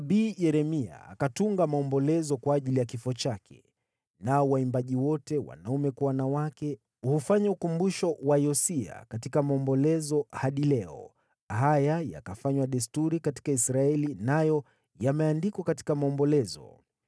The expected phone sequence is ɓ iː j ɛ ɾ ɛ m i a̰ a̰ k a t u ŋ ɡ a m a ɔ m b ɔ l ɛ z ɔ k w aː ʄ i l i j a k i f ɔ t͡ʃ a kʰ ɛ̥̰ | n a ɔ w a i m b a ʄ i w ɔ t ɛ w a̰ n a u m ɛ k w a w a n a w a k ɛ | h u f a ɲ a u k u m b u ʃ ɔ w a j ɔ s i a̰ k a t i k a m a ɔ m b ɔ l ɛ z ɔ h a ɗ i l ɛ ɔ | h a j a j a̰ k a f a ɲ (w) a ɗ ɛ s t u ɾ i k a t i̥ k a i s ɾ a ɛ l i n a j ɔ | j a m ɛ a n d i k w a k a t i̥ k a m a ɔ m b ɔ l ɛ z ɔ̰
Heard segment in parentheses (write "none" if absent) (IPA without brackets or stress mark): w